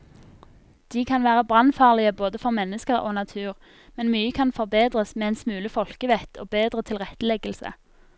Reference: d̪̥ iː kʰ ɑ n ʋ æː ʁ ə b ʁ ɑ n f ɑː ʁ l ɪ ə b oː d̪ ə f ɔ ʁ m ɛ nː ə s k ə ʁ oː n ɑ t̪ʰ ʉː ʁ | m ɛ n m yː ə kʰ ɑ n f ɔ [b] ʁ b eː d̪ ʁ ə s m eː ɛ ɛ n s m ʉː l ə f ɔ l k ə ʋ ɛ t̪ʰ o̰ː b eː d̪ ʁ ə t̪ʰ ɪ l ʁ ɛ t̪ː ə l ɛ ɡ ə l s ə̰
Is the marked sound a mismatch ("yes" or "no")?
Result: yes